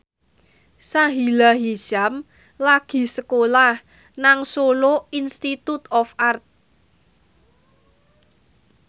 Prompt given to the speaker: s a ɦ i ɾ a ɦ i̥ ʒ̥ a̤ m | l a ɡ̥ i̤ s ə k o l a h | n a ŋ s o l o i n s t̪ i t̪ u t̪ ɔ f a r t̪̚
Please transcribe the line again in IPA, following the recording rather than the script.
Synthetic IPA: s a ɦ i l a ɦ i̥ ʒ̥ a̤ m | l a ɡ̥ i̤ s ə k o l a h | n a ŋ s o l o i n s t̪ i t̪ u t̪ ɔ f a r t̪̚